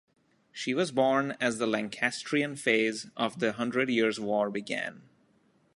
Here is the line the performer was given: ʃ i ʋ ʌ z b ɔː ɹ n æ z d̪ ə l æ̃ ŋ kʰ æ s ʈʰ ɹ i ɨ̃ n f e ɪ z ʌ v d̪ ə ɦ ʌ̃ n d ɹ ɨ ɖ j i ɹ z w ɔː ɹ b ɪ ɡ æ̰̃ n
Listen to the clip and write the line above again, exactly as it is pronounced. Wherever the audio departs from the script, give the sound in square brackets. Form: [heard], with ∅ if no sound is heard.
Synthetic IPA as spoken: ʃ i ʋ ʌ z b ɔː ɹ n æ z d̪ ə l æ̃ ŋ kʰ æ s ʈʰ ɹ i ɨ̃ n f e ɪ z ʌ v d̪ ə ɦ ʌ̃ n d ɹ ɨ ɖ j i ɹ z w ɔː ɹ b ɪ ɡ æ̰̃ n